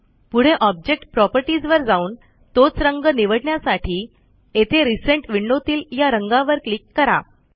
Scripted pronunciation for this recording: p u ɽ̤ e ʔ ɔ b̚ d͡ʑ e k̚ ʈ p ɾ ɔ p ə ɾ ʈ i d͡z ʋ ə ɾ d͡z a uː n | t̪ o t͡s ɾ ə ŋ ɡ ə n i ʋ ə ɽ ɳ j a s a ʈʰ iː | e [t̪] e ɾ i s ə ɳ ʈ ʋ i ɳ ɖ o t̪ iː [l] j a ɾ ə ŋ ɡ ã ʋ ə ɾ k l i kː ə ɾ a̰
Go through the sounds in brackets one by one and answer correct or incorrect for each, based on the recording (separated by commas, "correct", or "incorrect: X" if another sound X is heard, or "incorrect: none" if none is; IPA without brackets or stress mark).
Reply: incorrect: t̪ʰ, correct